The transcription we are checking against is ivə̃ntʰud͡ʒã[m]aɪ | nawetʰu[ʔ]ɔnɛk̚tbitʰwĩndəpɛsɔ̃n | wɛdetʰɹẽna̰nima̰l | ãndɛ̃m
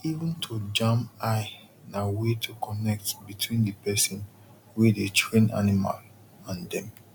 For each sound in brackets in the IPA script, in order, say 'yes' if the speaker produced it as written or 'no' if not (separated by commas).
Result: yes, no